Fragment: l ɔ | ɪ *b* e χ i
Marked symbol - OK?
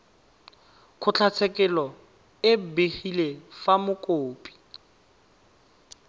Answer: yes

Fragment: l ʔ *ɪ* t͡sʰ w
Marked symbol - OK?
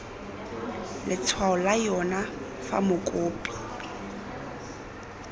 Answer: yes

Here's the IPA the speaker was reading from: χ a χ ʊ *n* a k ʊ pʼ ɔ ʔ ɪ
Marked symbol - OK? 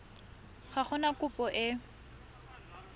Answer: yes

